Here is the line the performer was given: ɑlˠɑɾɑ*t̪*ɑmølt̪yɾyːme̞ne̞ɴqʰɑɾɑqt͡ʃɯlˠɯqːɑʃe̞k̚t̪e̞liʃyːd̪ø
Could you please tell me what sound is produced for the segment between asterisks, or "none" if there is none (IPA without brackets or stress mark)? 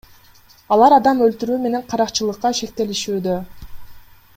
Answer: d̪